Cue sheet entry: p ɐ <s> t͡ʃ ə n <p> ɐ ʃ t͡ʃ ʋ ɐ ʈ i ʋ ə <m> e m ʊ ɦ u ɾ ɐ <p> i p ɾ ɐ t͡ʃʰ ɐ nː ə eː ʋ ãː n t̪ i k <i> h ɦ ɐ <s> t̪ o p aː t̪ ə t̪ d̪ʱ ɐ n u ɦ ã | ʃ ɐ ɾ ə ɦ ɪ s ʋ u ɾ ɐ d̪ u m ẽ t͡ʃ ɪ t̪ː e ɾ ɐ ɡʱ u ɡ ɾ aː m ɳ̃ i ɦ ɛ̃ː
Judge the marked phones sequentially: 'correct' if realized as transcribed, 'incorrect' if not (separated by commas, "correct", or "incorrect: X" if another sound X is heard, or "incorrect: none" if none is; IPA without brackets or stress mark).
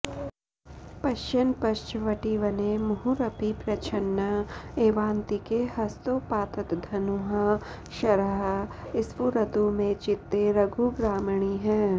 incorrect: ʃ, correct, incorrect: n, correct, incorrect: e, correct